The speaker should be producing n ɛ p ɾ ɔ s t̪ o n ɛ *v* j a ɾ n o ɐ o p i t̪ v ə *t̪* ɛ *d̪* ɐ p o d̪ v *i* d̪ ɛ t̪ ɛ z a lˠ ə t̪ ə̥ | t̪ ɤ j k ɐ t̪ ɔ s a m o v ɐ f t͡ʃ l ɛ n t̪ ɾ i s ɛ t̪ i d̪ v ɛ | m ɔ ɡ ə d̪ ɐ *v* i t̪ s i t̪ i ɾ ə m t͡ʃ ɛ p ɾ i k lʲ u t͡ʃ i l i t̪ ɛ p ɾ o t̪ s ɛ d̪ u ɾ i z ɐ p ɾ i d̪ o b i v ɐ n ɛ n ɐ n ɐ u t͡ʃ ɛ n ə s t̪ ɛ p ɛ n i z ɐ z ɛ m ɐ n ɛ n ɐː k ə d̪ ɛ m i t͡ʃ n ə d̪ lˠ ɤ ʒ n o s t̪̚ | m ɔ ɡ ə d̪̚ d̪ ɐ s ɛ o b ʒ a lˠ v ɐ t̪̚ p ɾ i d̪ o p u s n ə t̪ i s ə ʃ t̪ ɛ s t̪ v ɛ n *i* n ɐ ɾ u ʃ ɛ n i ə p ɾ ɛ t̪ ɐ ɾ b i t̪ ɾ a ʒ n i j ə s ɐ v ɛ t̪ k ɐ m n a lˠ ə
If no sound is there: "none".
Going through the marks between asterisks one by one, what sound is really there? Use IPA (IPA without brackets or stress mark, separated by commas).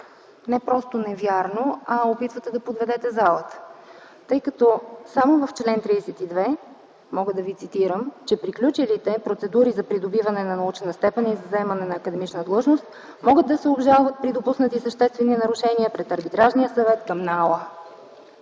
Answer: v, t̪, d̪, ɛ, v, i